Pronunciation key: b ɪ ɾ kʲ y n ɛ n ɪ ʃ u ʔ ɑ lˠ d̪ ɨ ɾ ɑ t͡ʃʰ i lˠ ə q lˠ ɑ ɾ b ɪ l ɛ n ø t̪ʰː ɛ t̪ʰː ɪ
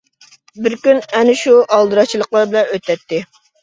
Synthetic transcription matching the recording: b ɪ ɾ kʲ y n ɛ n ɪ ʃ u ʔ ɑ lˠ d̪ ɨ ɾ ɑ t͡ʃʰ i lˠ ə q lˠ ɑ ɾ b ɪ l ɛ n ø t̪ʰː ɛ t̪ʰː ɪ